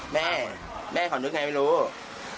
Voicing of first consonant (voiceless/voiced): voiced